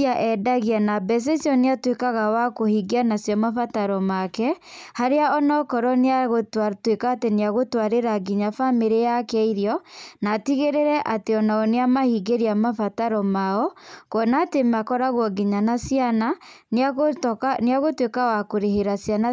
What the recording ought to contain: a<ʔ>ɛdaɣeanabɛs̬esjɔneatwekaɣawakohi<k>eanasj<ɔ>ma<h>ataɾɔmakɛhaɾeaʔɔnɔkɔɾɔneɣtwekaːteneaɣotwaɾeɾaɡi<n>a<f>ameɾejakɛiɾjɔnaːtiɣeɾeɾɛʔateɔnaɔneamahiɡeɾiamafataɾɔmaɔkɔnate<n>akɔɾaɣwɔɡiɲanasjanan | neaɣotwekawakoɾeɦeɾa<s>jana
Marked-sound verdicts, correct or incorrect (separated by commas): correct, incorrect, correct, incorrect, incorrect, correct, incorrect, correct